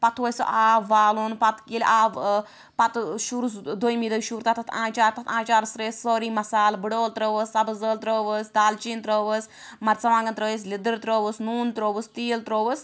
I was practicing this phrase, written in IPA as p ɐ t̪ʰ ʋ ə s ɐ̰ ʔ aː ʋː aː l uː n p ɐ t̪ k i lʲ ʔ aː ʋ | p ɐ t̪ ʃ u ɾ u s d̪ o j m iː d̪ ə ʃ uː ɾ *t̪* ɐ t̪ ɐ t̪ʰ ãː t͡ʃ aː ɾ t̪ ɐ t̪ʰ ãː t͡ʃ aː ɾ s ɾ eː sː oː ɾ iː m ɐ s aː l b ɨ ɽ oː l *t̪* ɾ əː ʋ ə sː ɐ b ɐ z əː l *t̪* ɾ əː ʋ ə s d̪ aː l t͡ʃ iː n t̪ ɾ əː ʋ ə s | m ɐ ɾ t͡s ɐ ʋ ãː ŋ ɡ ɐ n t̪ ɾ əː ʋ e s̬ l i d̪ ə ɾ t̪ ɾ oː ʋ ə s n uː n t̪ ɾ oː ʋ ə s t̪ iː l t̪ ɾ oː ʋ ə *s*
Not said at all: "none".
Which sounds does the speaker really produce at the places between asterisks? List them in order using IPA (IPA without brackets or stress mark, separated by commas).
t̪, t̪, t̪, s